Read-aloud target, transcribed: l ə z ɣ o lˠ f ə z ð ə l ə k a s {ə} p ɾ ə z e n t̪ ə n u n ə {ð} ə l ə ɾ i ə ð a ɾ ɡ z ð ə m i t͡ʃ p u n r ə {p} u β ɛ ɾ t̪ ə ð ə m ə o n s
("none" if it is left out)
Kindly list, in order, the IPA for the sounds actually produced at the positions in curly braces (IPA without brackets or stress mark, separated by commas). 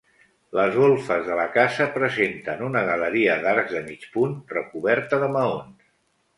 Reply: ə, ɣ, k